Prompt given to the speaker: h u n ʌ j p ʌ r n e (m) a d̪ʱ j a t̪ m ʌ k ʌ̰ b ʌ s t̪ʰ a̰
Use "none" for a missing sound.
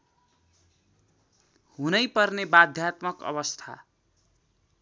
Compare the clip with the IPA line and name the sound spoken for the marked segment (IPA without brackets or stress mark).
b